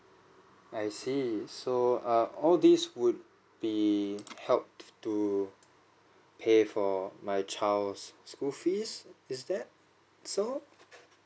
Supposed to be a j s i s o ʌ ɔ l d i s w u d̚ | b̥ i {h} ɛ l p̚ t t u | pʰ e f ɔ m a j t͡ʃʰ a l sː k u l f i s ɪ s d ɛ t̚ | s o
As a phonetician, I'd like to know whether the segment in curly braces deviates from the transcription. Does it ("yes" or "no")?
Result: no